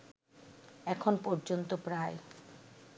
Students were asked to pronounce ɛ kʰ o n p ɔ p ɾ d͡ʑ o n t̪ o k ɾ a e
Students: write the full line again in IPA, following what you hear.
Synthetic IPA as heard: ɛ kʰ o n p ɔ ɾ d͡ʑ o n t̪ o p ɾ a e